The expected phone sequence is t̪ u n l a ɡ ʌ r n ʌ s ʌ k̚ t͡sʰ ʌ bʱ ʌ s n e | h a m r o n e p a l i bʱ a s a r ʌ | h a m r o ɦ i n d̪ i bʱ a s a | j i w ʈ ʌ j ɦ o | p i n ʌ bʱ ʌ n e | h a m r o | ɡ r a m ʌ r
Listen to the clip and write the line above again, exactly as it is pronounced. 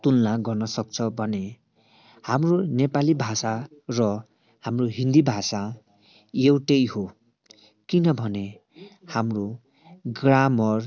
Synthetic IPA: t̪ u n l a ɡ ʌ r n ʌ s ʌ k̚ t͡sʰ ʌ bʱ ʌ n e | h a m r o n e p a l i bʱ a s a r ʌ | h a m r o ɦ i n d̪ i bʱ a s a | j e w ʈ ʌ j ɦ o | k i n ʌ bʱ ʌ n e | h a m r o | ɡ r a m ʌ r